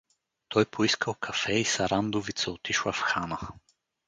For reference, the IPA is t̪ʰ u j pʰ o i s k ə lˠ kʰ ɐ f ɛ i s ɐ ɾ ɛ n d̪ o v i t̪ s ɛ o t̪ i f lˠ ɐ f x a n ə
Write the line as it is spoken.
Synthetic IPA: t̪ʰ ɔ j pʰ o i s k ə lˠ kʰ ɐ f ɛ i s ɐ ɾ a n d̪ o v i t̪ s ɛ o t̪ i ʃ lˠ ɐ f x a n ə